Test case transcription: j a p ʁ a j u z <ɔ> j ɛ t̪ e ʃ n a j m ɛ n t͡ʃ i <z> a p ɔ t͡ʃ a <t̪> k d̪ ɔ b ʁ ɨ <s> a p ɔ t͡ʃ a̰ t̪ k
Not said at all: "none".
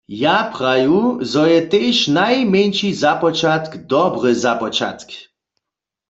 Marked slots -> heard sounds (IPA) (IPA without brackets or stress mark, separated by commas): ɔ, z, t̪, z